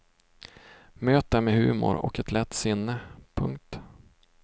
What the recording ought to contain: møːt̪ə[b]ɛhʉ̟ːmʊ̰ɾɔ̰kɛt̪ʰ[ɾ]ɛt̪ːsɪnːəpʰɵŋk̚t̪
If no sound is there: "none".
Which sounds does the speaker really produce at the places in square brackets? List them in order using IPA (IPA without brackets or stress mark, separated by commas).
m, l